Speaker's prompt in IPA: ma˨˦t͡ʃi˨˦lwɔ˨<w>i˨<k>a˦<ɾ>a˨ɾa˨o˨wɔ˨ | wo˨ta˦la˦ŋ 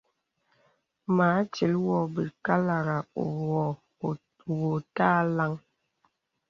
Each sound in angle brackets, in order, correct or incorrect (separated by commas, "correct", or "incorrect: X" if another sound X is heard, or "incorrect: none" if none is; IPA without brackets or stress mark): incorrect: b, correct, incorrect: l